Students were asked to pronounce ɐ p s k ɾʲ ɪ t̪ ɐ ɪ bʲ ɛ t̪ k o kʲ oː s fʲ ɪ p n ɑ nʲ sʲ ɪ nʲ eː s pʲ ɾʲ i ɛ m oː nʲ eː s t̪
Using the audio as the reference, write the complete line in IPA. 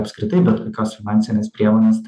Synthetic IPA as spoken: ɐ p s k ɾʲ ɪ t̪ ɐ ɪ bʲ ɛ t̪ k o kʲ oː s fʲ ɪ n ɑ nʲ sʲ ɪ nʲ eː s pʲ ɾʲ i ɛ m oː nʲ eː s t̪

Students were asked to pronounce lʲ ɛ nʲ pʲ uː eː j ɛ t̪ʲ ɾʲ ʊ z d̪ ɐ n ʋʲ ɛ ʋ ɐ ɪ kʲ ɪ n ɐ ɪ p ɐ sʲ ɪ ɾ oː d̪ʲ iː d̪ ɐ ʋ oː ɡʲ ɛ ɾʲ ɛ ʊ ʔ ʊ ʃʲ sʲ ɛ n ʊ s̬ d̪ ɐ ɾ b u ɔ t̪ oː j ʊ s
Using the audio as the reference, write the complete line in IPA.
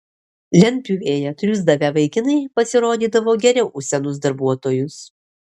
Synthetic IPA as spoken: lʲ ɛ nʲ pʲ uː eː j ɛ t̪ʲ ɾʲ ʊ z d̪ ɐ ʋʲ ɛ ʋ ɐ ɪ kʲ ɪ n ɐ ɪ p ɐ sʲ ɪ ɾ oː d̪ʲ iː d̪ ɐ ʋ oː ɡʲ ɛ ɾʲ ɛ ʊ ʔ ʊ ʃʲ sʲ ɛ n ʊ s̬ d̪ ɐ ɾ b u ɔ t̪ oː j ʊ s

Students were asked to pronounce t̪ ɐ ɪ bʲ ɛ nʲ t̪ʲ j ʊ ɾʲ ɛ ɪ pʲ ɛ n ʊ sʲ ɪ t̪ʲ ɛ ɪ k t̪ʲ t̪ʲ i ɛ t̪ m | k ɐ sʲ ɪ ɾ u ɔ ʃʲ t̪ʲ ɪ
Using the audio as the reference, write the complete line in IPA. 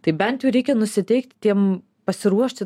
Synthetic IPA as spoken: t̪ ɐ ɪ bʲ ɛ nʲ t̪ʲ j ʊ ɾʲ ɛ ɪ kʲ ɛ n ʊ sʲ ɪ t̪ʲ ɛ ɪ k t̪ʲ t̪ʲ i ɛ m | p ɐ sʲ ɪ ɾ u ɔ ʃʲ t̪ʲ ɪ

